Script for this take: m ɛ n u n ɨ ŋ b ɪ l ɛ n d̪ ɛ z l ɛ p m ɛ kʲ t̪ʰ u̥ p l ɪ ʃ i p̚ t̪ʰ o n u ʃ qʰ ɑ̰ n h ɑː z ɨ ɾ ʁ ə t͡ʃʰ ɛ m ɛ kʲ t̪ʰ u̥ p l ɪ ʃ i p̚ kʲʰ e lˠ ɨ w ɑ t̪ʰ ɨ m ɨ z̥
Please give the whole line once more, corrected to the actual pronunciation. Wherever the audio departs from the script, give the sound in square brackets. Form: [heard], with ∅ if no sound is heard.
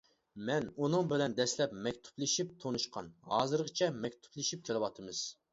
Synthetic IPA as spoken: m ɛ n u n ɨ ŋ b ɪ l ɛ n d̪ ɛ [s] l ɛ p m ɛ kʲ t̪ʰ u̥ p l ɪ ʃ i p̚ t̪ʰ o n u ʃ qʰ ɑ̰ n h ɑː z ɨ ɾ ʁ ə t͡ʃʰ ɛ m ɛ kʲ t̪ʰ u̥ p l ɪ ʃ i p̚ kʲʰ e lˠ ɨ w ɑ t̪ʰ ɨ m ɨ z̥